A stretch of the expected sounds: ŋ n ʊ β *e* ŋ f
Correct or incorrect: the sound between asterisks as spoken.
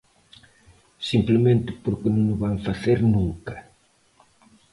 incorrect: a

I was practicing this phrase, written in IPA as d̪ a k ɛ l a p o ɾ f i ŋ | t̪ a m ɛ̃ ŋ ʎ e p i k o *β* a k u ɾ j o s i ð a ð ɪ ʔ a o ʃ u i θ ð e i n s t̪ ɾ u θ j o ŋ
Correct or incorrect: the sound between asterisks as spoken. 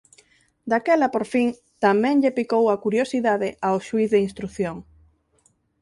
incorrect: w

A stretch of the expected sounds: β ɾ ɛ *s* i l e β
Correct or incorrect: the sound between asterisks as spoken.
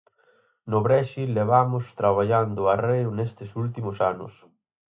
incorrect: ʃ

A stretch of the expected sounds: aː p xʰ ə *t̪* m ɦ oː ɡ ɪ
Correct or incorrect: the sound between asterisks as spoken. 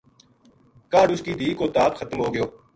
correct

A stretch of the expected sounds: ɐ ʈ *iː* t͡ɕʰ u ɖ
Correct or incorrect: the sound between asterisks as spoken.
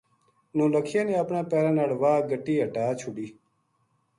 incorrect: aː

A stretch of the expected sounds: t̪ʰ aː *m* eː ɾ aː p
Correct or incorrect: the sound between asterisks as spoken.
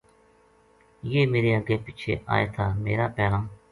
correct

